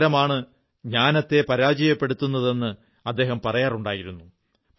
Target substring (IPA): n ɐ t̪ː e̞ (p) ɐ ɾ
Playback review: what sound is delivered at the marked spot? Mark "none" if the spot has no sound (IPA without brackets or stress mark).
p